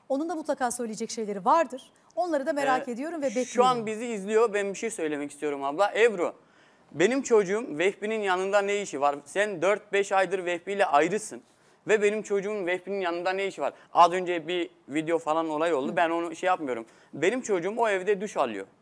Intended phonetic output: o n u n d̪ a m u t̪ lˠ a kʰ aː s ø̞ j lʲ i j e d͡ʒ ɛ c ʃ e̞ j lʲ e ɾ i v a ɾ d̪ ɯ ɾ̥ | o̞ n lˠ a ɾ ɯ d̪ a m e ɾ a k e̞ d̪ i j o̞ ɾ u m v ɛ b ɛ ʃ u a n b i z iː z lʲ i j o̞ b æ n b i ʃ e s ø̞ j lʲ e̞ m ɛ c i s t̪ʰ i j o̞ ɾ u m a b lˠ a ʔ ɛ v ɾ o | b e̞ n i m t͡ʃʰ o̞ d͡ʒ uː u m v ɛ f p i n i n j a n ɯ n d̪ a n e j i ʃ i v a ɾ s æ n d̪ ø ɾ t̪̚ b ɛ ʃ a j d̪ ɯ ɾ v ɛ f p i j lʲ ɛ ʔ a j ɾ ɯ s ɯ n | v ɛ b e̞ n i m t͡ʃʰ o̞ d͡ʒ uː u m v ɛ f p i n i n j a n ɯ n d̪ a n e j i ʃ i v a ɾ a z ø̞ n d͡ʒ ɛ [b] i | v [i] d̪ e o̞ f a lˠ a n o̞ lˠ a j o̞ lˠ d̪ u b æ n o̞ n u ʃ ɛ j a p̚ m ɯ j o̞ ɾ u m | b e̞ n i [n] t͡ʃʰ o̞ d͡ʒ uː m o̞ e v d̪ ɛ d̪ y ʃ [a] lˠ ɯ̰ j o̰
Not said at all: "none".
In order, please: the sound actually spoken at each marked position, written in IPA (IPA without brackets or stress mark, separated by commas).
b, i, m, a